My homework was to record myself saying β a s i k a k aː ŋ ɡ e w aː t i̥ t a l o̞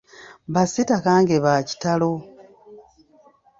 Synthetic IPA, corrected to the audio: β a s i t a k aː ŋ ɡ e β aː c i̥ t a l o̞